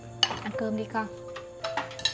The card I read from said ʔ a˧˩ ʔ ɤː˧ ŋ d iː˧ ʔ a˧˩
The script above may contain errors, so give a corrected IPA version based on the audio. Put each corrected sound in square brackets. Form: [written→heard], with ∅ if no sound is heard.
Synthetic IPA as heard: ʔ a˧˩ [ʔ→k] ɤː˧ [ŋ→m] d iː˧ [ʔ→k] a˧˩